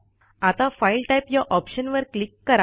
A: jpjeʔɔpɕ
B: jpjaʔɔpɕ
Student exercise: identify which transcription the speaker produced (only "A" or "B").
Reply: B